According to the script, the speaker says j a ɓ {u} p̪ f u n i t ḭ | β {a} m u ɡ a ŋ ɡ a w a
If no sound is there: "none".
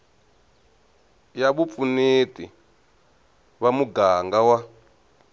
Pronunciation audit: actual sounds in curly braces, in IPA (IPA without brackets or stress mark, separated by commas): u, a